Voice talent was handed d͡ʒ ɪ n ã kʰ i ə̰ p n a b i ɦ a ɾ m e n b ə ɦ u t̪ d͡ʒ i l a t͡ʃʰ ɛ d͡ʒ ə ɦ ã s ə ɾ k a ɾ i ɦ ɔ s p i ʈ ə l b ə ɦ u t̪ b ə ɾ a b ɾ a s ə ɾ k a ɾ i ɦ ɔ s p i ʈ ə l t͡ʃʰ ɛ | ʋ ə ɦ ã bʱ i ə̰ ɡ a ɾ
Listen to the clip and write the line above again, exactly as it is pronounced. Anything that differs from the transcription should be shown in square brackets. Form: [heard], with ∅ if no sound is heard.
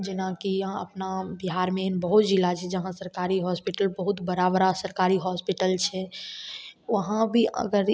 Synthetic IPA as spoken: d͡ʒ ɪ n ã [k] i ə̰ p n a b i ɦ a ɾ m e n b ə ɦ u t̪ d͡ʒ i l a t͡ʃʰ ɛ d͡ʒ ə ɦ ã s ə ɾ k a ɾ i ɦ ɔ s p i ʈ ə l b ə ɦ u t̪ b ə ɾ a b ɾ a s ə ɾ k a ɾ i ɦ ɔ s p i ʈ ə l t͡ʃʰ ɛ | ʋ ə ɦ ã bʱ i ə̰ ɡ [ə] ɾ